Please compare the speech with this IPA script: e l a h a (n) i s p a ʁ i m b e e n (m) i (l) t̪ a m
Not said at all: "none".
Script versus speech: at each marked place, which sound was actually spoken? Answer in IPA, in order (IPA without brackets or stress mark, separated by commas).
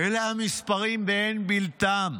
m, b, l